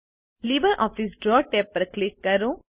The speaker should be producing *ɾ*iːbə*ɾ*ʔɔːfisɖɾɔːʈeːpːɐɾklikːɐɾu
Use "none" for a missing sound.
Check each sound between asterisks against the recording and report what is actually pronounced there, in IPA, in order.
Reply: l, ɾ

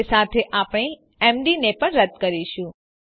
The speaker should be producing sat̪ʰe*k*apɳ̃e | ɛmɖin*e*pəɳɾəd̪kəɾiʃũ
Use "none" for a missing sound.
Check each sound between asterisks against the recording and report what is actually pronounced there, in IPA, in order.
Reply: ʔ, e

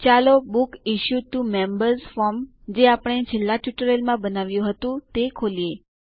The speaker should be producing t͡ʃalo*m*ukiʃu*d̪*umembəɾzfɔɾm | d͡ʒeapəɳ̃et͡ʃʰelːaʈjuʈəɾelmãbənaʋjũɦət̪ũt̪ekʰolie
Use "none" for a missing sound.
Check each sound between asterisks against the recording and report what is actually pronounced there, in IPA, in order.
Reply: b, t̪

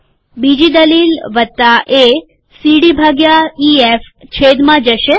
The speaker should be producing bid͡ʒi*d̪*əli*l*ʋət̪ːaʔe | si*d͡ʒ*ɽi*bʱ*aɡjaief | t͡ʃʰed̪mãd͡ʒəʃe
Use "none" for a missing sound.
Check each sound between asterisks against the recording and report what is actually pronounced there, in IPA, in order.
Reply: d̪, l, none, bʱ

